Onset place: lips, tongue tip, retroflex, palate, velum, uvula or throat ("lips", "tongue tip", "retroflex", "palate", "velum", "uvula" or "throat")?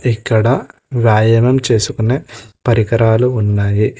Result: velum